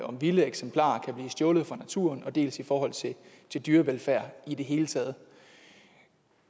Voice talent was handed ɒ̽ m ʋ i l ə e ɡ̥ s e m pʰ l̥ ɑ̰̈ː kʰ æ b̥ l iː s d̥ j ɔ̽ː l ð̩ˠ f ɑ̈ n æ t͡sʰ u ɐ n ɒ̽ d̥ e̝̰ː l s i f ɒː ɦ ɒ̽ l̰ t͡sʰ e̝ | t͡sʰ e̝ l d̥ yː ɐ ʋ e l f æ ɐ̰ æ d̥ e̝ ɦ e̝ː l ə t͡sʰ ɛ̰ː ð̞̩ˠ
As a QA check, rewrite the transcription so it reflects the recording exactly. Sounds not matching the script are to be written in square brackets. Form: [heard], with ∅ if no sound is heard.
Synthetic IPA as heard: ɒ̽ m ʋ i l ə e ɡ̥ s e m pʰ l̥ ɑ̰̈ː kʰ æ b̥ l iː s d̥ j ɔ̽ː l ð̩ˠ f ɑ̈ n æ t͡sʰ u ɐ n ɒ̽ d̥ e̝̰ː l s i f ɒː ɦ ɒ̽ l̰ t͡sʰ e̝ | t͡sʰ e̝ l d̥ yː ɐ ʋ e l f æ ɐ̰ [i] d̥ e̝ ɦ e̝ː l ə t͡sʰ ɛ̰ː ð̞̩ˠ

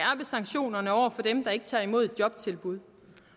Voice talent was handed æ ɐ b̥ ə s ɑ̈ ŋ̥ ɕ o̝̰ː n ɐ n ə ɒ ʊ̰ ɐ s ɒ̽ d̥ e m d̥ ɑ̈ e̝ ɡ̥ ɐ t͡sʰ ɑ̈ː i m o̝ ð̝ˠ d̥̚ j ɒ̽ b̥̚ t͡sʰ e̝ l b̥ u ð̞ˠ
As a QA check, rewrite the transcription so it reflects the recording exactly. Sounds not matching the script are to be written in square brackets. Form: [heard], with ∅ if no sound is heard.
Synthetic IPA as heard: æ ɐ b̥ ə s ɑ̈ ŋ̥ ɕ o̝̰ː n ɐ n ə ɒ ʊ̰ ɐ [f] ɒ̽ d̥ e m d̥ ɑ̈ e̝ ɡ̥ [ə] t͡sʰ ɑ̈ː i m o̝ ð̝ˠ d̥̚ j ɒ̽ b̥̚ t͡sʰ e̝ l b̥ u ð̞ˠ

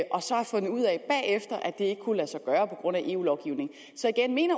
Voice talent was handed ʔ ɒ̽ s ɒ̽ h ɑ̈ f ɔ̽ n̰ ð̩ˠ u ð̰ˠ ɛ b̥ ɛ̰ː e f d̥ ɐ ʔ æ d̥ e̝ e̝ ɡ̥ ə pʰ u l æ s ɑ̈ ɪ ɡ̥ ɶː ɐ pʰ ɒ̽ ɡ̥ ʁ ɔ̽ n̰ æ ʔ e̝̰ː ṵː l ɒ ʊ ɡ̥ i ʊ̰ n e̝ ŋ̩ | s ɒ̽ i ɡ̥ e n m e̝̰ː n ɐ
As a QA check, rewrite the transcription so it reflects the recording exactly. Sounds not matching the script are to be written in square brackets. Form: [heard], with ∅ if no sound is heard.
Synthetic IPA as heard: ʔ ɒ̽ s ɒ̽ h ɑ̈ f ɔ̽ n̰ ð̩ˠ u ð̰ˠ ɛ b̥ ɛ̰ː e f d̥ ɐ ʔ æ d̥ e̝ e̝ ɡ̥ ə [kʰ] u l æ s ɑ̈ ɪ ɡ̥ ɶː ɐ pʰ ɒ̽ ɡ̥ ʁ ɔ̽ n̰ æ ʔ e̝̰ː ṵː l ɒ ʊ ɡ̥ i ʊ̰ n e̝ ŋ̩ | s ɒ̽ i ɡ̥ e n m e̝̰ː n ɐ

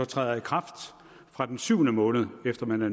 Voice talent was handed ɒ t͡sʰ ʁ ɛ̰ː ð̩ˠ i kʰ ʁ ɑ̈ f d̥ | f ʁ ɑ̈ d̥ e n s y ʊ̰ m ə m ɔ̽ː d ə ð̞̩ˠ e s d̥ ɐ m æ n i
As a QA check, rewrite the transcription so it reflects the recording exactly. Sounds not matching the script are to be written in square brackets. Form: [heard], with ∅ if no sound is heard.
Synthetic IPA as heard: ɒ t͡sʰ ʁ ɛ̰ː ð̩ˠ i kʰ ʁ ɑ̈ f d̥ | f ʁ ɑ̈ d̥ e n s y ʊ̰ [n] ə m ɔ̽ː [n] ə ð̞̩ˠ e [f] d̥ ɐ m æ n [æ]

